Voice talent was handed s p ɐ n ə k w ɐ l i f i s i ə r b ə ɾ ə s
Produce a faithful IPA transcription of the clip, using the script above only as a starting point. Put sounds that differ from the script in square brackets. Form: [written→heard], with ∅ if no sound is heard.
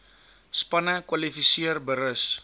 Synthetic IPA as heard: s p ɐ n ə k w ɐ l i f i s i ə r b ə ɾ ə s